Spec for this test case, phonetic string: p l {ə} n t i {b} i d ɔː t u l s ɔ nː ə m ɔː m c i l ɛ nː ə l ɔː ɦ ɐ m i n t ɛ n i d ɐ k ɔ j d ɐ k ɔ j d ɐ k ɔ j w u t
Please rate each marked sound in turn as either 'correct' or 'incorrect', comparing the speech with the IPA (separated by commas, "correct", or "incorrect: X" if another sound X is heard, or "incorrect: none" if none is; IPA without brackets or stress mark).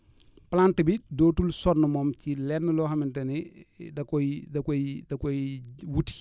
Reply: incorrect: a, correct